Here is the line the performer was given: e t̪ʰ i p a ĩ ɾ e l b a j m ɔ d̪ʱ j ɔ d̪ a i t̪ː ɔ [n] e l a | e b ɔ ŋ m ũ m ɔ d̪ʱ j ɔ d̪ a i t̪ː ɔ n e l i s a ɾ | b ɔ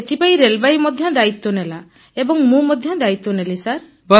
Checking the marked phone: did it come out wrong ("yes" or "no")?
no